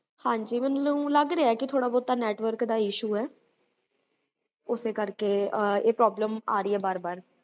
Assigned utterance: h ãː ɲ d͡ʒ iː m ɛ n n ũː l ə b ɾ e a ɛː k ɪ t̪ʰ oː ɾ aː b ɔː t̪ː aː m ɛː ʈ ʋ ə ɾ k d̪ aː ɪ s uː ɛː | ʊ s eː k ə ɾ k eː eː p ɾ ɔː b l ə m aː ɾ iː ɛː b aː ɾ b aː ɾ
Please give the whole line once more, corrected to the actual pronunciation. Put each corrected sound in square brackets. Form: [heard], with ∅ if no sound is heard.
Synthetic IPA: h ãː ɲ d͡ʒ iː m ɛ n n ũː l ə [ɡ] ɾ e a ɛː k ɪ t̪ʰ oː [ɽ] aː b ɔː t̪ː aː [n] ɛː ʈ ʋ ə ɾ k d̪ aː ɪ [ʃ] uː ɛː | ʊ s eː k ə ɾ k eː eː p ɾ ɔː b l ə m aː ɾ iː ɛː b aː ɾ b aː ɾ